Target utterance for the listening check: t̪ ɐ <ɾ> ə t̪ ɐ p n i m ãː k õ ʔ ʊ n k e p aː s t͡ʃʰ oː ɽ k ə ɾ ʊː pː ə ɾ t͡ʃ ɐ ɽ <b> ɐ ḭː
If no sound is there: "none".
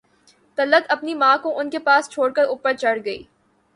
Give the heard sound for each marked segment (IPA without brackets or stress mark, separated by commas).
l, ɡ